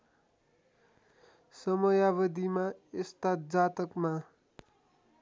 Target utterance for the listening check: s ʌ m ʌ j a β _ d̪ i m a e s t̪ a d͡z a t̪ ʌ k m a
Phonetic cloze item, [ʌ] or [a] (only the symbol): ʌ